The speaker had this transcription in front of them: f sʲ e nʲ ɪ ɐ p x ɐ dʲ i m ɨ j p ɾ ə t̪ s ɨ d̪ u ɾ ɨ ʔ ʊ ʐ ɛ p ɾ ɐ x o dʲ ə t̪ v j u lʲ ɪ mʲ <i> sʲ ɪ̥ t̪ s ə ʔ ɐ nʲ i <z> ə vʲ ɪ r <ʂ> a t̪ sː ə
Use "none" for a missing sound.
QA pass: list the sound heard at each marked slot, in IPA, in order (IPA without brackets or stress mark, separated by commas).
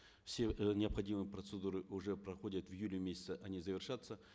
e, z, ʂ